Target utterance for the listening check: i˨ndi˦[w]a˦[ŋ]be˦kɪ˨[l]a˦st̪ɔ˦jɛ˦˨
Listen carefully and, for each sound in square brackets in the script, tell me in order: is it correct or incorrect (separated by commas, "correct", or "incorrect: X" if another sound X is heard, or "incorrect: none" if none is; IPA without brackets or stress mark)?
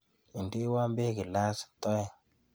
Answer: correct, incorrect: m, correct